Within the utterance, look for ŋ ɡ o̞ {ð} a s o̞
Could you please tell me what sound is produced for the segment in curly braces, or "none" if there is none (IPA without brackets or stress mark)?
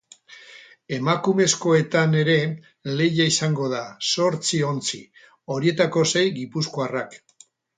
ð